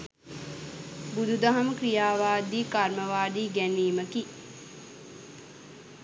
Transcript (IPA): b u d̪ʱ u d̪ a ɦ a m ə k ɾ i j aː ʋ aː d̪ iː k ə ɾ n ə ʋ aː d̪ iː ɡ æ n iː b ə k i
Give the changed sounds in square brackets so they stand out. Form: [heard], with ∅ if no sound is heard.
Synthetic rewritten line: b u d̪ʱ u d̪ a ɦ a m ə k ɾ i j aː ʋ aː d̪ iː k [a] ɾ [m] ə ʋ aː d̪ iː ɡ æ n iː [m] ə k i

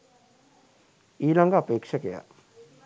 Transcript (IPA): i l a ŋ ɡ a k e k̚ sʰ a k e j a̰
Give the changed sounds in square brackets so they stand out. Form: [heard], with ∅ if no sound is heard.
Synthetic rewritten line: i l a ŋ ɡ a [p] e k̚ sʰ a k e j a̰

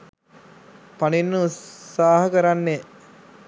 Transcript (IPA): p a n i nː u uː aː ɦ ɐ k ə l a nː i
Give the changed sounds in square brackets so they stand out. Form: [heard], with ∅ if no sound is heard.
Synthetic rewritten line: p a n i nː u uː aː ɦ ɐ k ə [ɾ] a nː [e]

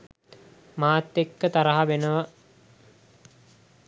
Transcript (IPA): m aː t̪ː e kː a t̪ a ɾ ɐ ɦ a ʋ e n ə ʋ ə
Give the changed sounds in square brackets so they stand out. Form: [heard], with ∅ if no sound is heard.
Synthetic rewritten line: m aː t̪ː e kː [ə] t̪ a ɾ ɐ ɦ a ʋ e n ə ʋ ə

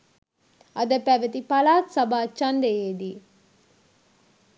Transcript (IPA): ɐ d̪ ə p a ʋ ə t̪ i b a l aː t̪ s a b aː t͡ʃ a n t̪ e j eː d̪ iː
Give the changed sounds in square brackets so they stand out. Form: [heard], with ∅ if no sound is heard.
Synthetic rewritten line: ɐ d̪ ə p [æ] ʋ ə t̪ i [p] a l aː t̪ s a b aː t͡ʃ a n [d̪] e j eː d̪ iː

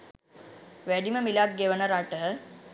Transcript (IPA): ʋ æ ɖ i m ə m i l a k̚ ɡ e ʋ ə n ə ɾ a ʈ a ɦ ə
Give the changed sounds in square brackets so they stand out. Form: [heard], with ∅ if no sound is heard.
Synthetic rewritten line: ʋ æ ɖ i m ə m i l a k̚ ɡ e ʋ ə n ə ɾ a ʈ [ə] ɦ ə

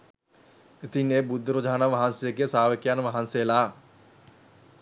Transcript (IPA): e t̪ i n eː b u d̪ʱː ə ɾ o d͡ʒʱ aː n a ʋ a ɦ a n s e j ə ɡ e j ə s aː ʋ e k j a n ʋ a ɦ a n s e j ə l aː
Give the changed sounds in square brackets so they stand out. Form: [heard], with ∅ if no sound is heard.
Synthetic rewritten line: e t̪ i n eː b u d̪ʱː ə ɾ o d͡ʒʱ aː n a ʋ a ɦ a n s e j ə ɡ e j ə s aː ʋ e k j a n ʋ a ɦ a n s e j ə l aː

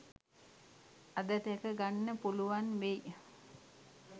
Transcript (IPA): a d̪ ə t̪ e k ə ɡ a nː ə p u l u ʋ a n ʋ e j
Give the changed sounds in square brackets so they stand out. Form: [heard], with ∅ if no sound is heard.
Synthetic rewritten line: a d̪ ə t̪ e k ə ɡ a nː ə p u l u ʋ a n ʋ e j

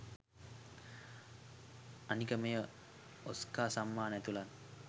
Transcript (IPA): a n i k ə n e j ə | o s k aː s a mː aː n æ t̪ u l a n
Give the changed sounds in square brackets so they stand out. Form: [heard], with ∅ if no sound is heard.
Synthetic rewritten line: a n i k ə [m] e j ə | o s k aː s a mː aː n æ t̪ u l a n

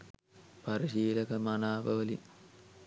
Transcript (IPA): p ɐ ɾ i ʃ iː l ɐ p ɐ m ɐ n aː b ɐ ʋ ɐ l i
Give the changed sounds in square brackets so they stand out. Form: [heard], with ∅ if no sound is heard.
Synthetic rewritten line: p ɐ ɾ i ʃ iː l ɐ [k] ɐ m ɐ n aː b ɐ ʋ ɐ l i

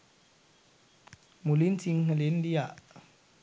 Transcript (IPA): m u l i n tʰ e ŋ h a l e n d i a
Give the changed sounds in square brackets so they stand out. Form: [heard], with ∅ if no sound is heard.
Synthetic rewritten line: m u l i n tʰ [i] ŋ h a l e n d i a

